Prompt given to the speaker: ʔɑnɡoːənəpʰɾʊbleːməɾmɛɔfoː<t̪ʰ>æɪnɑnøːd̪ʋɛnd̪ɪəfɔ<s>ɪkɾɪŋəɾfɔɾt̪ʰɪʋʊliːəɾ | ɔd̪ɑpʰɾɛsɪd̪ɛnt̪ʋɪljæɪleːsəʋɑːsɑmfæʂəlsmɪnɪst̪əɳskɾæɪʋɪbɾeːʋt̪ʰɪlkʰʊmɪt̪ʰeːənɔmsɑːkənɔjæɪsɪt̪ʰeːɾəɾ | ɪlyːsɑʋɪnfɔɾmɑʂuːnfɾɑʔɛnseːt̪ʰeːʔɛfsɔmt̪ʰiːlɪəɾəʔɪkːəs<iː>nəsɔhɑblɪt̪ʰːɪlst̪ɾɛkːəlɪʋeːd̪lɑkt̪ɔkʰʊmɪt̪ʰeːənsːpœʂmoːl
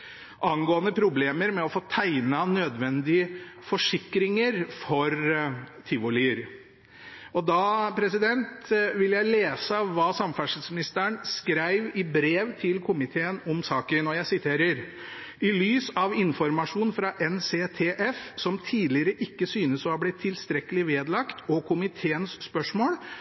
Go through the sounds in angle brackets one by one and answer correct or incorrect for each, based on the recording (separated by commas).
correct, incorrect, incorrect